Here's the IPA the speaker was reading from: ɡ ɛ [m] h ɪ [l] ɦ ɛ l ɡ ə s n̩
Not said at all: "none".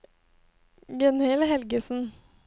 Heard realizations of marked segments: n, l

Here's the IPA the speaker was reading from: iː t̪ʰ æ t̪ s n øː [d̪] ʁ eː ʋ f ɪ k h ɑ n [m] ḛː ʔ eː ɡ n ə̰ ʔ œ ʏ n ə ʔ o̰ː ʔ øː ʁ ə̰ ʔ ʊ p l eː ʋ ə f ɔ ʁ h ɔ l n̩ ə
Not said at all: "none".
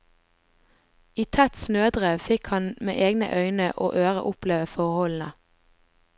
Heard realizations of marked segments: d̪, m

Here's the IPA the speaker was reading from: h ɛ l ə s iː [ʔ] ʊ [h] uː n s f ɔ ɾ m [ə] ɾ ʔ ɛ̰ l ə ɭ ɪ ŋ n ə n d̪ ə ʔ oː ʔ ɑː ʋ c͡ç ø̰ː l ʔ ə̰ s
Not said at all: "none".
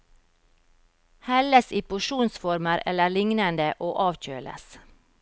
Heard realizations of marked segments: p, ʃ, ə

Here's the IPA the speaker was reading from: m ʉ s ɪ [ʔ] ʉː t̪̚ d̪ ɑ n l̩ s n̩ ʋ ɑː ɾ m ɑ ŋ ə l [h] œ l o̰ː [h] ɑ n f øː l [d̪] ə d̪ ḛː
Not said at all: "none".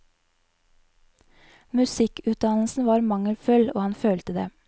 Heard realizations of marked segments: k, f, h, t̪

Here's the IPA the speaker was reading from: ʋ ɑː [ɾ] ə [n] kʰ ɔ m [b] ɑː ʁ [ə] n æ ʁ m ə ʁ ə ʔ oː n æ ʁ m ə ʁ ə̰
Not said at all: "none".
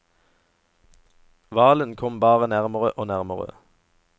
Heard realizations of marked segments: l, n, b, ə

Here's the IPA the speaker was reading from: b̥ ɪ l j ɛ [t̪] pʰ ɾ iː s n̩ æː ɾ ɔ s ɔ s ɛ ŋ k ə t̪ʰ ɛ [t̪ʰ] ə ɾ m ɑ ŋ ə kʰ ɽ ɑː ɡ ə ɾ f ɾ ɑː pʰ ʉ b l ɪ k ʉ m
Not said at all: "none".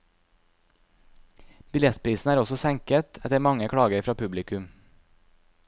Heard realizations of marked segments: t̪, t̪

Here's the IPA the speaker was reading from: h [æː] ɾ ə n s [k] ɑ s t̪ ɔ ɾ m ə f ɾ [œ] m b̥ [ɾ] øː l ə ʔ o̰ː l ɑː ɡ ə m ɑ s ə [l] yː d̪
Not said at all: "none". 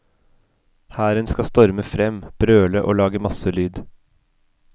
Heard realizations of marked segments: æː, k, ɛ, ɾ, l

